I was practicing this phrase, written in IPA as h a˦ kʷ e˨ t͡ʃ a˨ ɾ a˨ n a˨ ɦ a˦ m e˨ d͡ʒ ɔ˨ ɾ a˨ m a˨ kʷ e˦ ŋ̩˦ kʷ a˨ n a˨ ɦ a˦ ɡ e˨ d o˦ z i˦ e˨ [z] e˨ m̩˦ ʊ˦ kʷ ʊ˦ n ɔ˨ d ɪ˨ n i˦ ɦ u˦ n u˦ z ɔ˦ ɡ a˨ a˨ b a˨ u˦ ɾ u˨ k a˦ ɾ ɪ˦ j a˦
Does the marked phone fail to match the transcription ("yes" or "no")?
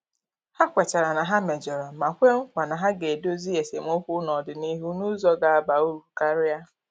yes